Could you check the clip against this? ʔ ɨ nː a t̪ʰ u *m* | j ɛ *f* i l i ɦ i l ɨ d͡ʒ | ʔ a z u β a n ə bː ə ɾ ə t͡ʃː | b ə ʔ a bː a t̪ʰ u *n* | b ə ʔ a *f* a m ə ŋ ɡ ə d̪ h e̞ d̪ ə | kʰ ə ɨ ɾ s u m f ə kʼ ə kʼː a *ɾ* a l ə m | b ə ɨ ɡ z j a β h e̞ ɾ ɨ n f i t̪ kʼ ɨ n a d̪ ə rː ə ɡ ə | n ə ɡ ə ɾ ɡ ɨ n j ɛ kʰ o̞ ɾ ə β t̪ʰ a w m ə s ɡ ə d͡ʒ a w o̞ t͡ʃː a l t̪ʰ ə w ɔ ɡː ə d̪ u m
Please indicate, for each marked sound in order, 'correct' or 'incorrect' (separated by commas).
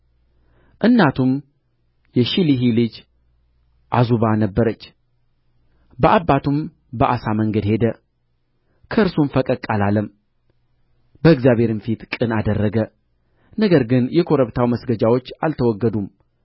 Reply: correct, incorrect, incorrect, incorrect, incorrect